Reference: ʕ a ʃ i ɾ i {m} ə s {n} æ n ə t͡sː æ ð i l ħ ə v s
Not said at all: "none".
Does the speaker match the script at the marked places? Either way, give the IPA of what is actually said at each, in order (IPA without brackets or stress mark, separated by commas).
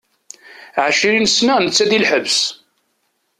n, n